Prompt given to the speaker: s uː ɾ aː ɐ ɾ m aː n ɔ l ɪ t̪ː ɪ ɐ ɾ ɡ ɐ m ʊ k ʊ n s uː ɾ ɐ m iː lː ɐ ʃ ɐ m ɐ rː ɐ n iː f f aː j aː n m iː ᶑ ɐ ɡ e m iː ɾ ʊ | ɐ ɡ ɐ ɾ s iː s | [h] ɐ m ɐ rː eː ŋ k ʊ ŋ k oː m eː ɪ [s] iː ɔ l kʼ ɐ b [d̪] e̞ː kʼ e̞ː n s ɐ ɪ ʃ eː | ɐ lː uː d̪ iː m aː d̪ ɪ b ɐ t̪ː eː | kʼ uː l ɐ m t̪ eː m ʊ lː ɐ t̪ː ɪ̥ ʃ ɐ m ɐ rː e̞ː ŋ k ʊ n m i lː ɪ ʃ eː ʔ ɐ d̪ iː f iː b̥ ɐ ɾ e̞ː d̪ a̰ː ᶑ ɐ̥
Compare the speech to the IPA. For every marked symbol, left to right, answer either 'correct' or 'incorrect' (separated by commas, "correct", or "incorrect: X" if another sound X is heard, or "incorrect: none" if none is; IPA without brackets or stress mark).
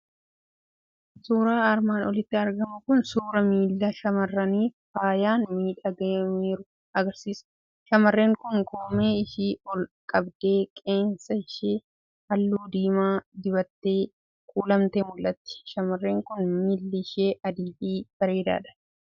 incorrect: ʃ, incorrect: ʃ, correct